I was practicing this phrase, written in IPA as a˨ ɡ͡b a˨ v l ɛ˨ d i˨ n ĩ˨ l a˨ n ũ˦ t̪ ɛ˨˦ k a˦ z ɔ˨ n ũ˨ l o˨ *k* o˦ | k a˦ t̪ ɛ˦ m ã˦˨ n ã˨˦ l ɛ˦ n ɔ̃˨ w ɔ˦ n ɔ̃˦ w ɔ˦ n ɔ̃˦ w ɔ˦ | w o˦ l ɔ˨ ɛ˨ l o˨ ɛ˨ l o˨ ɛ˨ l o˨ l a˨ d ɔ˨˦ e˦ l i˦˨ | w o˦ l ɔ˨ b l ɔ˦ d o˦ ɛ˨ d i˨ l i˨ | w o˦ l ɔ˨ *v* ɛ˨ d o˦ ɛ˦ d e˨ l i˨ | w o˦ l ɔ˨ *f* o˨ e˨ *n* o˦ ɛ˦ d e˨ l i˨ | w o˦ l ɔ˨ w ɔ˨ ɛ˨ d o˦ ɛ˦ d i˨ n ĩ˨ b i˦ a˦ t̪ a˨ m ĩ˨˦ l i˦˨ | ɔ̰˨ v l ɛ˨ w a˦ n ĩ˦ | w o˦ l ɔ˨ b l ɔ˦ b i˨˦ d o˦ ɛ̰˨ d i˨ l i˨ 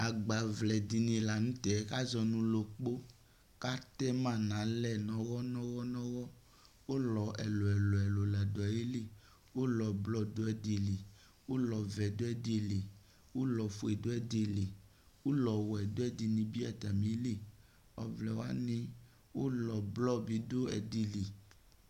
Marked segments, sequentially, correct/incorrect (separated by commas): incorrect, correct, correct, incorrect